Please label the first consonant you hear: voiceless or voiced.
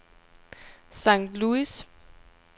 voiceless